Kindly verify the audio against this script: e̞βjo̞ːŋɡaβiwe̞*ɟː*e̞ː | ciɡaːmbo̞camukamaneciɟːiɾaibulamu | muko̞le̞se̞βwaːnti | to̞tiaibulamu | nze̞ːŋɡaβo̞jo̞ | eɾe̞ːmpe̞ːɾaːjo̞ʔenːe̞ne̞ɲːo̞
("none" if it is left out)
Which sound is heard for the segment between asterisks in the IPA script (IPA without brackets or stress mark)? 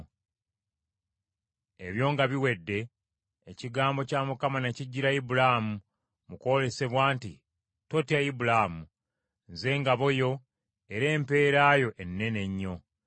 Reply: dː